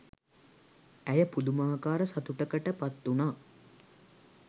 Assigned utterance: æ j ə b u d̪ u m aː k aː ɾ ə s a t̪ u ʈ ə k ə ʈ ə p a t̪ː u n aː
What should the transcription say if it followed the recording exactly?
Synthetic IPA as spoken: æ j ə p u d̪ u m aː k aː ɾ ə s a t̪ u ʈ ə k ə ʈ ə p a t̪ː u n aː